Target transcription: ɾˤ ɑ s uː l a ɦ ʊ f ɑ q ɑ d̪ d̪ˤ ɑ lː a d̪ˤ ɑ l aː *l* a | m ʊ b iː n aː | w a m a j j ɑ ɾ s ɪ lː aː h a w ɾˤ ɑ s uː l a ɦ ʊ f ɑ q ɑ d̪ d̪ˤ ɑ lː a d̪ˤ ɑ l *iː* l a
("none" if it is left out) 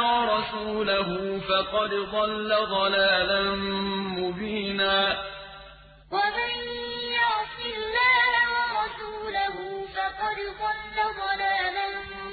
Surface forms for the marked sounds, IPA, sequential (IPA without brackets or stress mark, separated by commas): l, aː